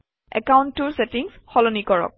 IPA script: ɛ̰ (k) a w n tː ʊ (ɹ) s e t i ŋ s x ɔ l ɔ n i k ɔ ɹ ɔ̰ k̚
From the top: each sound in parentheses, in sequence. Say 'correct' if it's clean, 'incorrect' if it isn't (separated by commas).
correct, correct